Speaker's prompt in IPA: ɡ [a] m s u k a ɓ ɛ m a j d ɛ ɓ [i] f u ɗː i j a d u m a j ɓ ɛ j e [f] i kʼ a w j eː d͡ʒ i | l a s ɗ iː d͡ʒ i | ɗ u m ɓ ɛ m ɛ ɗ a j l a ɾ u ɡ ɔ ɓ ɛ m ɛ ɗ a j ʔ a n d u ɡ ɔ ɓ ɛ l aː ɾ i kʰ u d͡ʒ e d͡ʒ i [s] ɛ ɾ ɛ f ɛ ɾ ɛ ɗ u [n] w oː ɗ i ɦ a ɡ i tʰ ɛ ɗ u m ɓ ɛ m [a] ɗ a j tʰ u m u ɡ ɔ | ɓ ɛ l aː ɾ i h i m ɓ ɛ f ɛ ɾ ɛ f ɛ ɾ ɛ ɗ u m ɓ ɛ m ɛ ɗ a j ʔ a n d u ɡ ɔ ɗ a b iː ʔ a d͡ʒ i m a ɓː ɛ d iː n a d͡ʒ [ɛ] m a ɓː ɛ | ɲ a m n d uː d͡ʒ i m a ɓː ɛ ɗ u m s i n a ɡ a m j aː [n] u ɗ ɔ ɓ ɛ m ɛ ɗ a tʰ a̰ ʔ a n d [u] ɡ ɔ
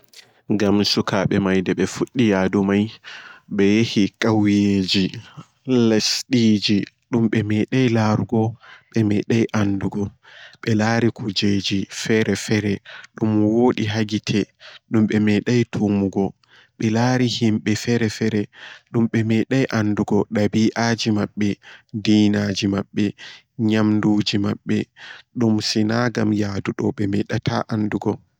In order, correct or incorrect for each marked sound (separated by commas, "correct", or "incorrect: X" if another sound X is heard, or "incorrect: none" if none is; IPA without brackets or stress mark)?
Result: correct, incorrect: ɛ, incorrect: h, incorrect: f, incorrect: m, incorrect: ɛ, incorrect: i, incorrect: d, correct